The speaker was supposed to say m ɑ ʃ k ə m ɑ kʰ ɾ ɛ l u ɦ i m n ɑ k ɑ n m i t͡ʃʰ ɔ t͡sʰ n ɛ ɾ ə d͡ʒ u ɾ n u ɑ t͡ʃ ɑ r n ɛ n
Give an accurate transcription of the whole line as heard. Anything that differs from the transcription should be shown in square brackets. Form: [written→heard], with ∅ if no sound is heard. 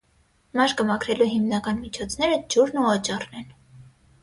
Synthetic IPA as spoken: m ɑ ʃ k ə m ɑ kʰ ɾ ɛ l u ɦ i m n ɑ k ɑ n m i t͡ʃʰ ɔ t͡sʰ n ɛ ɾ ə d͡ʒ u ɾ n u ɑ t͡ʃ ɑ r n ɛ n